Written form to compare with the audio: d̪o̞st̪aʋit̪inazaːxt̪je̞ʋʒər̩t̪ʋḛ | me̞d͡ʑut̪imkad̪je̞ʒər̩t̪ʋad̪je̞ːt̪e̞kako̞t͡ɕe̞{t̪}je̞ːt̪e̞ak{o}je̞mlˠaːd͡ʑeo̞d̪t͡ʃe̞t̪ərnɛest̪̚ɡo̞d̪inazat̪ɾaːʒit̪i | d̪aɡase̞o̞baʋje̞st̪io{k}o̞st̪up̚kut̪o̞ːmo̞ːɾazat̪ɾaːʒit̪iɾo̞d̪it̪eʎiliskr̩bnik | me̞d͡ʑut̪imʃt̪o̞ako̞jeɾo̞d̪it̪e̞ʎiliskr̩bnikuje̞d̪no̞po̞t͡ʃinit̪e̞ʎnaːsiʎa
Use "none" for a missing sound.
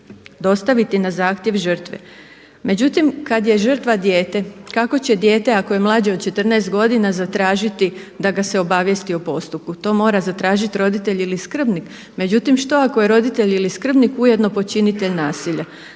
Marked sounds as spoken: d̪, o, p

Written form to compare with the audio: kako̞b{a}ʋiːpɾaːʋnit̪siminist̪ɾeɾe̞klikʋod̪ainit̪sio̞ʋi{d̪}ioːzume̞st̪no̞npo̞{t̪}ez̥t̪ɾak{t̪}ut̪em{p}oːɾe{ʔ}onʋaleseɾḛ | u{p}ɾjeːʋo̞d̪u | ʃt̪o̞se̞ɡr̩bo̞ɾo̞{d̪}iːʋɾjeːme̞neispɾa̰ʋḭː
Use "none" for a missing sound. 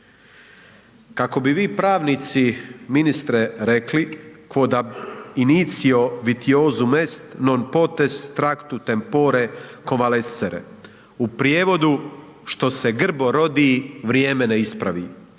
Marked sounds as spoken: i, t̪, t̪, t̪, p, k, p, d̪

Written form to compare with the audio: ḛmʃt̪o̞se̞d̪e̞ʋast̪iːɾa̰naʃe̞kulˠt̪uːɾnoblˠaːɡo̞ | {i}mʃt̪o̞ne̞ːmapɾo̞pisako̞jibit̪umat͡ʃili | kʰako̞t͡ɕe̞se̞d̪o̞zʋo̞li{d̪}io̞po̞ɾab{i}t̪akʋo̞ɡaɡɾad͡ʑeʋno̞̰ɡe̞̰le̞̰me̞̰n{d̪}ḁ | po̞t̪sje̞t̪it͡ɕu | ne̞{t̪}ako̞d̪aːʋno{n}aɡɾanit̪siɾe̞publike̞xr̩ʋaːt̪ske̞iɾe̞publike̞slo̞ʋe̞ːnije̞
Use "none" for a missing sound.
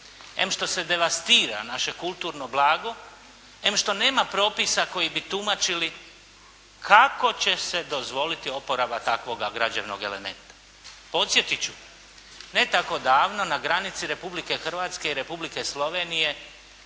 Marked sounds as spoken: e, t̪, a, t̪, t̪, n

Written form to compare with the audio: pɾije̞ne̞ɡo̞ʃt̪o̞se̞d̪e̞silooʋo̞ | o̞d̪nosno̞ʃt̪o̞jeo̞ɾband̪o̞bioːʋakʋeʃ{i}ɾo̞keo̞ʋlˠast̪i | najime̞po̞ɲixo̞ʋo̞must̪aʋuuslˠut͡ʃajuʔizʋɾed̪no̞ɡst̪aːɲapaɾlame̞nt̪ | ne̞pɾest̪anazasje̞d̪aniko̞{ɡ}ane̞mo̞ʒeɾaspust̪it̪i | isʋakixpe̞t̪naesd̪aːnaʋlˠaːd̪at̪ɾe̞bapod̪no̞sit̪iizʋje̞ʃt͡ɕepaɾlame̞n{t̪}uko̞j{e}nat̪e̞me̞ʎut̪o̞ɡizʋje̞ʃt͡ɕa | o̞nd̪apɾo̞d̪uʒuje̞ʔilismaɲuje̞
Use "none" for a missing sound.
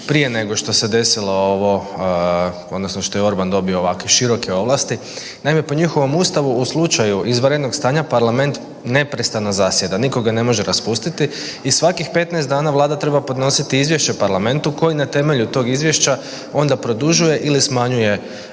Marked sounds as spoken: i, ɡ, t̪, i

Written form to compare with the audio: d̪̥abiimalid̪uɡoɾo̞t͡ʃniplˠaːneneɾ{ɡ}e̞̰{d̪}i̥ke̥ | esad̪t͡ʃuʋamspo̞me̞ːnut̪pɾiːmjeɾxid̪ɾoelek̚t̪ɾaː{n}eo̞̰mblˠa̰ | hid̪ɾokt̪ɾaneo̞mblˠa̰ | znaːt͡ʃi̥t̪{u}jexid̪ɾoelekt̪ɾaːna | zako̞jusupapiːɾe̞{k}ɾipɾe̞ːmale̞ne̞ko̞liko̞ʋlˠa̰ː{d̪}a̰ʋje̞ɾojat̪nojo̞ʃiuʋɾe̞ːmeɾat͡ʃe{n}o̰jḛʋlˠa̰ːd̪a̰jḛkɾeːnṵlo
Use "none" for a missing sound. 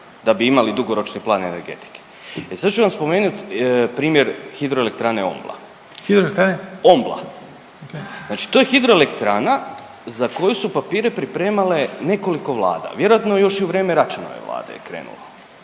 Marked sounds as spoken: ɡ, t̪, n, o, p, d̪, n

